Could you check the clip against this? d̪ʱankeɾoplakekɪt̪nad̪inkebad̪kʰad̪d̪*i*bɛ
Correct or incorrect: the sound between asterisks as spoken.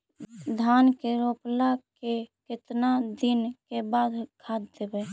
incorrect: e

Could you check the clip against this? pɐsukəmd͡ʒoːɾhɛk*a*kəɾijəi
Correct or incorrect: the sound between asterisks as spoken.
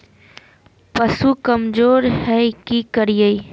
incorrect: i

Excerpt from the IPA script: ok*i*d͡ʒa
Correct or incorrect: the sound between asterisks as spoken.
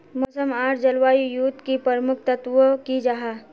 correct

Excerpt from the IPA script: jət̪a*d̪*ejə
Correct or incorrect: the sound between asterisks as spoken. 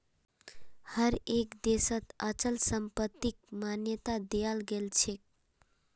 correct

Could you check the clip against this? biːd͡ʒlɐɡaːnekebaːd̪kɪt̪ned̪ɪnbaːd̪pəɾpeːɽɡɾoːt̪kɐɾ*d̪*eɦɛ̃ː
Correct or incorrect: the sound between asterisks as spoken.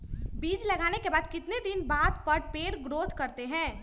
incorrect: t̪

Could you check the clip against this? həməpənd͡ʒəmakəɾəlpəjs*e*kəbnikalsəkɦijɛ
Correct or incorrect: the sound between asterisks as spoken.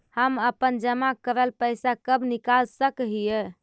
incorrect: a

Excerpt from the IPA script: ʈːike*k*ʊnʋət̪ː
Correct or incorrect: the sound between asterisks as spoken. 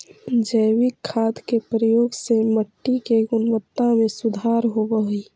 incorrect: ɡ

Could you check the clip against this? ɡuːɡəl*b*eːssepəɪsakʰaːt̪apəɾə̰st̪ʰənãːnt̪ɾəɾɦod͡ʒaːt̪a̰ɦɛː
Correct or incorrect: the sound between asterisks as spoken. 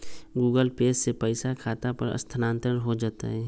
incorrect: p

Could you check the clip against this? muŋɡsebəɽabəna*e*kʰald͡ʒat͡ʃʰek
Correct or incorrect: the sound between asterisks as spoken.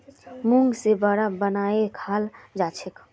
correct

